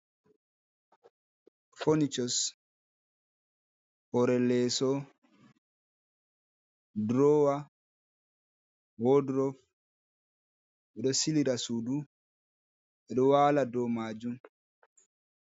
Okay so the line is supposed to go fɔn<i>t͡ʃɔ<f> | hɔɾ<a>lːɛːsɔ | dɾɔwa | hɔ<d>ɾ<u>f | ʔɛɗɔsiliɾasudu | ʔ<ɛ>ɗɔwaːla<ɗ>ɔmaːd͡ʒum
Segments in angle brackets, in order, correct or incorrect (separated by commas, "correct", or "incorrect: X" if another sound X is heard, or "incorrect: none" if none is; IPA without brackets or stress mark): correct, incorrect: s, incorrect: ɛ, correct, incorrect: ɔ, correct, incorrect: d